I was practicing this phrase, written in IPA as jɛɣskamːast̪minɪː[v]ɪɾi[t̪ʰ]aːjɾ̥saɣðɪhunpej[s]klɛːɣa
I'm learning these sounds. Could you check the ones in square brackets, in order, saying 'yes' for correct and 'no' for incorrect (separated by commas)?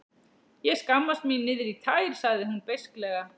no, yes, yes